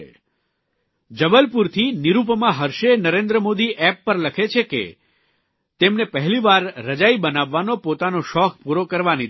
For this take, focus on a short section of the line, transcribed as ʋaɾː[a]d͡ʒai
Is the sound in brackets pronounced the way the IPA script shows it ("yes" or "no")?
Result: no